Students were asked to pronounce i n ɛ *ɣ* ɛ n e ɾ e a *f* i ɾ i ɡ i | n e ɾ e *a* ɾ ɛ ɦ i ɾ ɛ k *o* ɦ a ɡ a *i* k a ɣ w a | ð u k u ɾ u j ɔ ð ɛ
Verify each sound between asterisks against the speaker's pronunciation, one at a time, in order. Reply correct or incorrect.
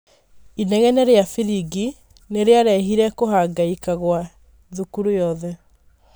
correct, correct, correct, correct, correct

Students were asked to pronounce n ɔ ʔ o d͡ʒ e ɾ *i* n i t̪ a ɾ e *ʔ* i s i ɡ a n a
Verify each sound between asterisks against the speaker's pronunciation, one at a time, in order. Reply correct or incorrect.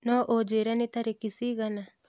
incorrect: a, incorrect: k

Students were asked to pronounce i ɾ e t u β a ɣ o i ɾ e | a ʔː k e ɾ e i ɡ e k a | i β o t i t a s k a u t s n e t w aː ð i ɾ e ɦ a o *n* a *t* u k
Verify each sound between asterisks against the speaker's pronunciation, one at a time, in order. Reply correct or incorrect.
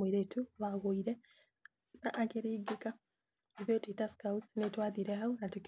correct, correct

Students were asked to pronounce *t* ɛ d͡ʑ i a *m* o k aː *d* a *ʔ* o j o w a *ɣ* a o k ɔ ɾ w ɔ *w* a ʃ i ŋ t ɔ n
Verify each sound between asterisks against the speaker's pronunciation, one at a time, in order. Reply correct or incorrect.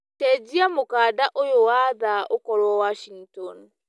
correct, correct, correct, correct, incorrect: ð, correct

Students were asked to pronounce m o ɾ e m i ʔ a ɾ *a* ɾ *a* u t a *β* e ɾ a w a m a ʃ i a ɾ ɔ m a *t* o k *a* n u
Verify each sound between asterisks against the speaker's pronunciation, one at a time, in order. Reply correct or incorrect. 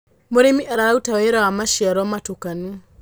correct, correct, incorrect: w, correct, correct

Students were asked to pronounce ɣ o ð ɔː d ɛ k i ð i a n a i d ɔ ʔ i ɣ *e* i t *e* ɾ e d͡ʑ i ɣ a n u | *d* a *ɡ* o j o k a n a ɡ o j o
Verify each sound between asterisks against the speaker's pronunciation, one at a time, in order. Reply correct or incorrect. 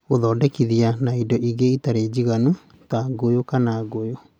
correct, incorrect: a, incorrect: t, correct

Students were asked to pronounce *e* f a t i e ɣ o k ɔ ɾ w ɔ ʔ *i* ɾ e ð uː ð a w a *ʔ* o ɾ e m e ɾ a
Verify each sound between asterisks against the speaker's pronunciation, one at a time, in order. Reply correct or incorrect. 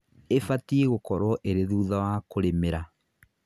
correct, incorrect: e, incorrect: k

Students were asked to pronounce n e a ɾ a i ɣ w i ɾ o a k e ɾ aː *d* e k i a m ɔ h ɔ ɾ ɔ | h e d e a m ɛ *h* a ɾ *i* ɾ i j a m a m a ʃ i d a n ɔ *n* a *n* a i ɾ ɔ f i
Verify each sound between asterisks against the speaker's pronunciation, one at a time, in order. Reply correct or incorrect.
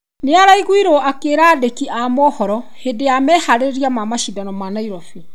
correct, correct, incorrect: e, incorrect: m, correct

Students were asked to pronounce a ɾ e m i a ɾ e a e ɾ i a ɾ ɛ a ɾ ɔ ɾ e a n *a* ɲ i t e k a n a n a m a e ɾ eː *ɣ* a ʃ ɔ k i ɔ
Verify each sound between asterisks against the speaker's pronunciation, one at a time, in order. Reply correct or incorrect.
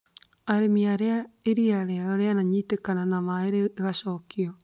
correct, correct

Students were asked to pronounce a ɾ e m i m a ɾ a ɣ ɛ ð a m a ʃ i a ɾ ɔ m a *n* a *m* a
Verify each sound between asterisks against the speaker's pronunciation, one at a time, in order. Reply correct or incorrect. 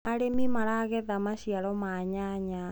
incorrect: ɲ, incorrect: ɲ

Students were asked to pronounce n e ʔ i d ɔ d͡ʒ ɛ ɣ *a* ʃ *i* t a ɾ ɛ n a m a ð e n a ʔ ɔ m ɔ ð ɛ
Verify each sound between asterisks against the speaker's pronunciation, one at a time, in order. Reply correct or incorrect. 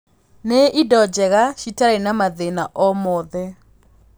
correct, correct

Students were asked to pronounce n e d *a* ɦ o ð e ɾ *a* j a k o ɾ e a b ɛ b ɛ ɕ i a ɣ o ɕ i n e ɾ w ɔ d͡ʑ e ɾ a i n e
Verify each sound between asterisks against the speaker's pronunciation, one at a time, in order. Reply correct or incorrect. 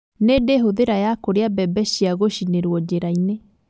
incorrect: e, correct

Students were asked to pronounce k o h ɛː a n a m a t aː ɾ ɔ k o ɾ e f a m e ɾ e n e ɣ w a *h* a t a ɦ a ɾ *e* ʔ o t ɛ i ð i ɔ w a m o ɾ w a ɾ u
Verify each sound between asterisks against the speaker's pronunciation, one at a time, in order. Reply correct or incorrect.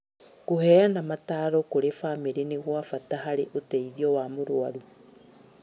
incorrect: f, correct

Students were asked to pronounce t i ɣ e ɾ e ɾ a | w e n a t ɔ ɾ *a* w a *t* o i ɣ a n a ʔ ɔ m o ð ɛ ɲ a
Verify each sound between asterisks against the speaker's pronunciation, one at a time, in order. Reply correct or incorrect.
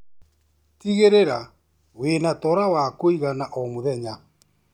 correct, incorrect: k

